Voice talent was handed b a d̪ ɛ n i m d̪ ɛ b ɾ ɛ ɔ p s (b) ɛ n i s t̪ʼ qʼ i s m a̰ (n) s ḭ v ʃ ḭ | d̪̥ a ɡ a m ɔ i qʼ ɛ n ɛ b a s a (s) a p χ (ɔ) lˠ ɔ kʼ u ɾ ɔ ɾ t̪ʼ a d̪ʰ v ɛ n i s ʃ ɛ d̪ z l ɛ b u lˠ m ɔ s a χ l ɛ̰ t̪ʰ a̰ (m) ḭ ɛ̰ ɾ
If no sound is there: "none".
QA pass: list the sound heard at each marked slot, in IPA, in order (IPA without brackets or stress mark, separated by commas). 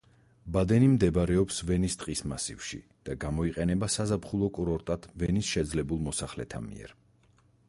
v, none, z, u, m